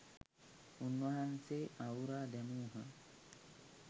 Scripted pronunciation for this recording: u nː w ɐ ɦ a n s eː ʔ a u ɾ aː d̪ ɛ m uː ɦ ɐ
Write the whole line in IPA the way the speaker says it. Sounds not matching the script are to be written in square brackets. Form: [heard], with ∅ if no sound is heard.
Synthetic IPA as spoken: u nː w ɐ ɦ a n s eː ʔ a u ɾ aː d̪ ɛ m uː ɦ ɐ